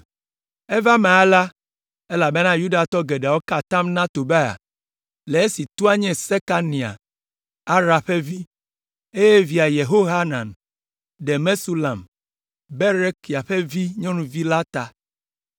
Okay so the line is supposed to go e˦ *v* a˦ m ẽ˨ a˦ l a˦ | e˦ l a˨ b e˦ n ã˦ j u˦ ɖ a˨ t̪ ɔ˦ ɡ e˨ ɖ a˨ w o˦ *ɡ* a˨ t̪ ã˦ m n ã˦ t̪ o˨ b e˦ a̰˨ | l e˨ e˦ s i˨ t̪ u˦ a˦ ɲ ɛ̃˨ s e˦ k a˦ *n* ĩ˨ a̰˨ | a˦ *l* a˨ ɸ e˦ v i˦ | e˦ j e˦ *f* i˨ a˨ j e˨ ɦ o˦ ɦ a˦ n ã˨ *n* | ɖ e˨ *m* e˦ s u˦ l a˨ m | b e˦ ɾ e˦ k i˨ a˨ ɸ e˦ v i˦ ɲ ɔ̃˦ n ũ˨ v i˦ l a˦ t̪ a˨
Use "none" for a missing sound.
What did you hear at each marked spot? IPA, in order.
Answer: v, k, n, ɾ, v, n, m

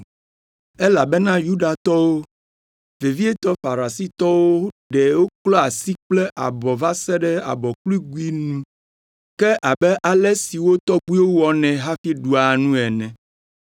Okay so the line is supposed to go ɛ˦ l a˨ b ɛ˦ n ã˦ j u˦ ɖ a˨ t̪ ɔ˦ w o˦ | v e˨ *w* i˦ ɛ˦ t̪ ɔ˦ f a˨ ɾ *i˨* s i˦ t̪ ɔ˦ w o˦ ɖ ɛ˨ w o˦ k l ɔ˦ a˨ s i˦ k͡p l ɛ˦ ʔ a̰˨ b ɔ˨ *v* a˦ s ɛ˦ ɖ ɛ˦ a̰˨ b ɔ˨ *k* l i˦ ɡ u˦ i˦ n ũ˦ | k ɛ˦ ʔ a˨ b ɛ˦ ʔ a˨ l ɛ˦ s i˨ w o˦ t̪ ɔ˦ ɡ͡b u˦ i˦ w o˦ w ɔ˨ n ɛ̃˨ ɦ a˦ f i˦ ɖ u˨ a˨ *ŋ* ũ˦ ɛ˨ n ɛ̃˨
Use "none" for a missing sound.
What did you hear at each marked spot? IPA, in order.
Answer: v, a˨, v, k, n

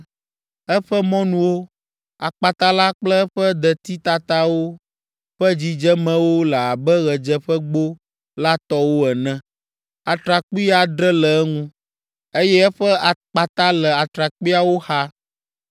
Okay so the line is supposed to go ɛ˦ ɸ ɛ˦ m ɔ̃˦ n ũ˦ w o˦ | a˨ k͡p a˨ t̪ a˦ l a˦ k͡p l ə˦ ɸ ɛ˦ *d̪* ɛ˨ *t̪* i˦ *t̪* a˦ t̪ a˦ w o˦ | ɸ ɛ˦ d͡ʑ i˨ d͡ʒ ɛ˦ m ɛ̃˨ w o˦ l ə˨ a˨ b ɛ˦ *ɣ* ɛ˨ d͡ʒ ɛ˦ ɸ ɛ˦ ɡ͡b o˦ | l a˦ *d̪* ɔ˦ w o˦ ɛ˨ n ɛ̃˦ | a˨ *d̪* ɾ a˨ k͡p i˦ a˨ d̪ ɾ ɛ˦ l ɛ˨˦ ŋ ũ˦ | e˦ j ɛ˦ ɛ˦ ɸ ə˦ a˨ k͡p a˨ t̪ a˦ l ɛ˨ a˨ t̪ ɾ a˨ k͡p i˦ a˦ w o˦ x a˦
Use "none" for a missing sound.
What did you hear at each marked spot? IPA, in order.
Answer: d̪, t̪, t̪, ɣ, t̪, t̪

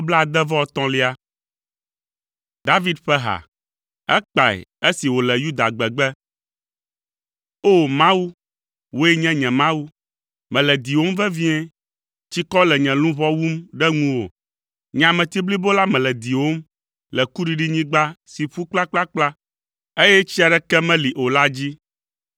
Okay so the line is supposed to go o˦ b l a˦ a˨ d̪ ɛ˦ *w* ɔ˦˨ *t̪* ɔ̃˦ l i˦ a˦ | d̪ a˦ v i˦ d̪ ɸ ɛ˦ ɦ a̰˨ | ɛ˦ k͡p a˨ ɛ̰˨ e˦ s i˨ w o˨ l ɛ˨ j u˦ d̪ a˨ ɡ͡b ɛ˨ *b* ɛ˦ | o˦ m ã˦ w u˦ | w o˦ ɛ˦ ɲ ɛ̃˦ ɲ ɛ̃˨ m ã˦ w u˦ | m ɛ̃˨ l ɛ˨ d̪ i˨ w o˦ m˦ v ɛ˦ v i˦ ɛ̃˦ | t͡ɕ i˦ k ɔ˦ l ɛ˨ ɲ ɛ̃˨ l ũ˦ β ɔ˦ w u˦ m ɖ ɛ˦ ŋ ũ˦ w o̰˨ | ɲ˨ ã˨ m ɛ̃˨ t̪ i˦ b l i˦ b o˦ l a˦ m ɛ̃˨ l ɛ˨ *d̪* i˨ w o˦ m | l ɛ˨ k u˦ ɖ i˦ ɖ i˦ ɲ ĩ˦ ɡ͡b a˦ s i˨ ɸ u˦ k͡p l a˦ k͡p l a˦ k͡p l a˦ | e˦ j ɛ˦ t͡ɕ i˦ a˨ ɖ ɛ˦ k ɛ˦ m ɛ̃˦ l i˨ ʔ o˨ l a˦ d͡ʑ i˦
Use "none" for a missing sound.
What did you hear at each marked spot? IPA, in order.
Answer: v, t̪, ɡ͡b, d̪

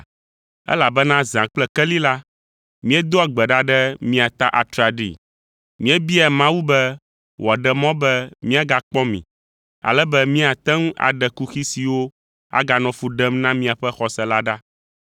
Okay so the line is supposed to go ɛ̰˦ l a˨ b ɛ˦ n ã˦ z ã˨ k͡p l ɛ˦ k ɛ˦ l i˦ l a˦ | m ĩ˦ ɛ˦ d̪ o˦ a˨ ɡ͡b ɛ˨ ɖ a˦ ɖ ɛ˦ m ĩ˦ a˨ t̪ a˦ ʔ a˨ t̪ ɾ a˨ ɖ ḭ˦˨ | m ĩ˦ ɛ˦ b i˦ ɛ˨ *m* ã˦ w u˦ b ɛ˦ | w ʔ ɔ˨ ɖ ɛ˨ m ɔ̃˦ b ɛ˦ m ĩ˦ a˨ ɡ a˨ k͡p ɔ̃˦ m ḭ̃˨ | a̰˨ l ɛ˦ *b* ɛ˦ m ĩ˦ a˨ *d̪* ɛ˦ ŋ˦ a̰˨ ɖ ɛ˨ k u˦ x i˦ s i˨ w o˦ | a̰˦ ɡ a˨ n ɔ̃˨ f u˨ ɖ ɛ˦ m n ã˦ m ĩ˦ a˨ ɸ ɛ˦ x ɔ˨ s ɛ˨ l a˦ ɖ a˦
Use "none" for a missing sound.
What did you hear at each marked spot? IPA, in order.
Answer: m, b, t̪

